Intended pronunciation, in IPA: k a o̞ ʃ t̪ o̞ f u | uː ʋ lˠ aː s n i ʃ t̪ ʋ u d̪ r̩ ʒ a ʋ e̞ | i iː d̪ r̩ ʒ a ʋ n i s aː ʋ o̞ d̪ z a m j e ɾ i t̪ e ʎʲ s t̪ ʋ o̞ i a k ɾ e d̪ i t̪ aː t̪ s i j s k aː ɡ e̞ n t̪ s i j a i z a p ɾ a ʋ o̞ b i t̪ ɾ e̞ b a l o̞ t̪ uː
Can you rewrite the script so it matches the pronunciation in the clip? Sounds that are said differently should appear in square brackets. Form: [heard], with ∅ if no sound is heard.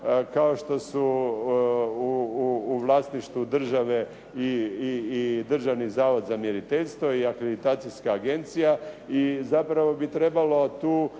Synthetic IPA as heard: k a o̞ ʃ t̪ o̞ [s] u | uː ʋ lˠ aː s n i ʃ t̪ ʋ u d̪ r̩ ʒ a ʋ e̞ | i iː d̪ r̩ ʒ a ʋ n i [z] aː ʋ o̞ d̪ z a m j e ɾ i t̪ e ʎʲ s t̪ ʋ o̞ i a k ɾ e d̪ i t̪ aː t̪ s i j s k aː ɡ e̞ n t̪ s i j a i z a p ɾ a ʋ o̞ b i t̪ ɾ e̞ b a l o̞ t̪ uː